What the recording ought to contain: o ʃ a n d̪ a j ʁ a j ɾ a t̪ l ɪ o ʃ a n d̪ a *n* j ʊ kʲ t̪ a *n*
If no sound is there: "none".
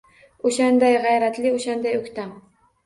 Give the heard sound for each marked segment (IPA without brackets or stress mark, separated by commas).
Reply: none, m